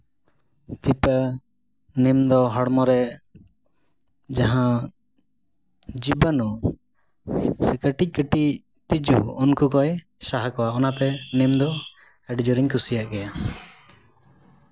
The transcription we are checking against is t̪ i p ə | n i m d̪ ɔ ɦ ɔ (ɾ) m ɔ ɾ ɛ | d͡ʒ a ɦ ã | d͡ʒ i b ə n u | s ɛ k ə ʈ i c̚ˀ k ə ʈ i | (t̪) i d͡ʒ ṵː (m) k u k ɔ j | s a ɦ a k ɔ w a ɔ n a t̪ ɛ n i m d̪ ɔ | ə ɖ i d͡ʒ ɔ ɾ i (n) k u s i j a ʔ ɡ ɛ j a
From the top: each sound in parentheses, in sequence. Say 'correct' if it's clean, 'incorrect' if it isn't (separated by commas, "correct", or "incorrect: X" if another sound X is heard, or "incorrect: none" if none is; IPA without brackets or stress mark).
incorrect: ɽ, correct, incorrect: n, incorrect: ɲ